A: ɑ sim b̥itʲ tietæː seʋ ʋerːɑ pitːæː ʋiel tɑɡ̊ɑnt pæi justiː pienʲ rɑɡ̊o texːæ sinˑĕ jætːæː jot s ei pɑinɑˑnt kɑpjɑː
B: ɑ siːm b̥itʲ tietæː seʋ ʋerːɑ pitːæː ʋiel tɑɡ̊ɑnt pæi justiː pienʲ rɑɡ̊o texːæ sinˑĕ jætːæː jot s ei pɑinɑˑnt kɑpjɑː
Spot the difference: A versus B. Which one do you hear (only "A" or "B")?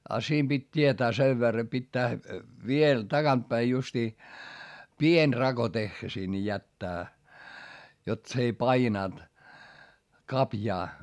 B